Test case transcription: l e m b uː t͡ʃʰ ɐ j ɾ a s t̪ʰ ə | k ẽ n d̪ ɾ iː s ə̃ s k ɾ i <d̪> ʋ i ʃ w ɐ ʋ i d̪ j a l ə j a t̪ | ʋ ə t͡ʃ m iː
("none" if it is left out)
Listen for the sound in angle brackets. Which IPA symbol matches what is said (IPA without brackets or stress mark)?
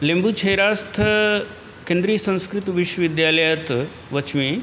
t̪